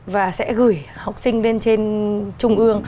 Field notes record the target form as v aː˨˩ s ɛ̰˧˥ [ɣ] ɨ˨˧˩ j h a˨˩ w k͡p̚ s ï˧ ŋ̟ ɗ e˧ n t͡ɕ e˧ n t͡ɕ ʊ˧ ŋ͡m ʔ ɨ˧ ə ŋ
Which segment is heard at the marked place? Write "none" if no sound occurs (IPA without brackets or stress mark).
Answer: ɣ